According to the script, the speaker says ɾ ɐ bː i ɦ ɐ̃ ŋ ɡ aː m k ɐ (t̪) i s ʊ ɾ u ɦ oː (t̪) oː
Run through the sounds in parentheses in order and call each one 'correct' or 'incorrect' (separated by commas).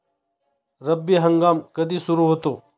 incorrect, correct